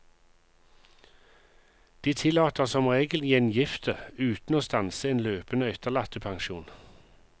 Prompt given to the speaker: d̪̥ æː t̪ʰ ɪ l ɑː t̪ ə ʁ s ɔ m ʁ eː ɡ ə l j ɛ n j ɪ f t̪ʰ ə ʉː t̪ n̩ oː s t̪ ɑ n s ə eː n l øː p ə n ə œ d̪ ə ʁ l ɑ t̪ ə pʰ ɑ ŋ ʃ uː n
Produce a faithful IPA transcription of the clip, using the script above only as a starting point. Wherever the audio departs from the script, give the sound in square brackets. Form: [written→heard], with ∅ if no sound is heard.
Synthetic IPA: d̪̥ [æː→iː] t̪ʰ ɪ l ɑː t̪ ə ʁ s ɔ m ʁ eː ɡ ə l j ɛ n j ɪ f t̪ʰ ə ʉː t̪ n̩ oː s t̪ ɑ n s ə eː n l øː p ə n ə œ [d̪→t̪] ə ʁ l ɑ t̪ ə pʰ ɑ ŋ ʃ uː n